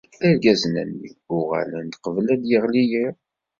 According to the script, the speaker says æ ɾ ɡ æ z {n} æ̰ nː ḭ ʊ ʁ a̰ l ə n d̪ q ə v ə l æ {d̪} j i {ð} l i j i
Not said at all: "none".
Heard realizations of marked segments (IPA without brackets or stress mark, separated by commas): n, d̪, ʁ